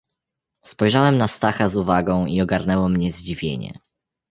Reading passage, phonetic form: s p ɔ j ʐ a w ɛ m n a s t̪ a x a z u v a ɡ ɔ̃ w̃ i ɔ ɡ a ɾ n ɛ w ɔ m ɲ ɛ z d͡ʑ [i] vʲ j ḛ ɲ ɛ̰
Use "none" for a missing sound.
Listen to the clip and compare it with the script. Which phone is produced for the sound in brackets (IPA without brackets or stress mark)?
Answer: i